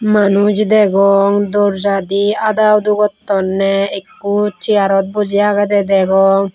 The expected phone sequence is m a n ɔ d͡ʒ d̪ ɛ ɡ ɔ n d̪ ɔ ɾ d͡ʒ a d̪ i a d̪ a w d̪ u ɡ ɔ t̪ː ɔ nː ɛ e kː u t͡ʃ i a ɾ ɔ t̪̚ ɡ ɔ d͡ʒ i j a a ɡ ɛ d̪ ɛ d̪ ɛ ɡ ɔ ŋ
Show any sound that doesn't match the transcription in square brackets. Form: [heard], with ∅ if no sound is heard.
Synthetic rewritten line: m a n [u] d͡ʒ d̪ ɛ ɡ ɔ [ŋ] d̪ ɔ ɾ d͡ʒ a d̪ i a d̪ a w d̪ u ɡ ɔ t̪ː ɔ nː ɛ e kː u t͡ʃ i a ɾ ɔ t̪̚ [b] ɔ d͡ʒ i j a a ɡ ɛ d̪ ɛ d̪ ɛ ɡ ɔ ŋ

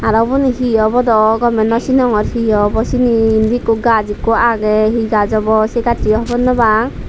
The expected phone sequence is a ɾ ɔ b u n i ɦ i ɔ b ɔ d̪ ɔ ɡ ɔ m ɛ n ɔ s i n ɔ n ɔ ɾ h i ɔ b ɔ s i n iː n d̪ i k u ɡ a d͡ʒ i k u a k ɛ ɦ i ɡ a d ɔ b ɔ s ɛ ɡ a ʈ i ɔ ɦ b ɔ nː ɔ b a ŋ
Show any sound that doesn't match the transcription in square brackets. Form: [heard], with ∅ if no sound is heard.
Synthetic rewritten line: a ɾ ɔ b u n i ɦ i ɔ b ɔ d̪ ɔ ɡ ɔ m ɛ n ɔ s i n ɔ [ŋ] ɔ ɾ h i ɔ b ɔ s i n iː n d̪ i k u ɡ a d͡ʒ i k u a [ɡ] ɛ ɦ i ɡ a [d͡ʒ] ɔ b ɔ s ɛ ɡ a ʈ i ɔ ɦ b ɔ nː ɔ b a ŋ

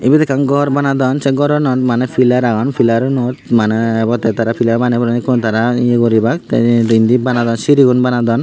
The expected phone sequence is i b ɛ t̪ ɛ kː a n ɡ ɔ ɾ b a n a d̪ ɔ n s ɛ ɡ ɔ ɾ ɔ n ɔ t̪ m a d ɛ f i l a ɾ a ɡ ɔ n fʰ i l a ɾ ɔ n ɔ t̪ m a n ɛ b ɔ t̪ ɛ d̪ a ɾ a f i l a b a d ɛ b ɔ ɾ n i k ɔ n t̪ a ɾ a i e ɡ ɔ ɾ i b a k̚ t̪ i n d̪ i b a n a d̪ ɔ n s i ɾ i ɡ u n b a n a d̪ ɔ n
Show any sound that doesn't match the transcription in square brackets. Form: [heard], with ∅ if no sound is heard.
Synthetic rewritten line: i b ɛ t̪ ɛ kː a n ɡ ɔ ɾ b a n a d̪ ɔ n s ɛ ɡ ɔ ɾ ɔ n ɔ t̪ m a [n] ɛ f i l a ɾ a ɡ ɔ n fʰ i l a ɾ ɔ n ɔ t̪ m a n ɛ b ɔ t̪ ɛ [t̪] a ɾ a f i l a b a [n] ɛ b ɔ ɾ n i k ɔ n t̪ a ɾ a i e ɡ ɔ ɾ i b a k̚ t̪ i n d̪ i b a n a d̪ ɔ n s i ɾ i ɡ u n b a n a d̪ ɔ n

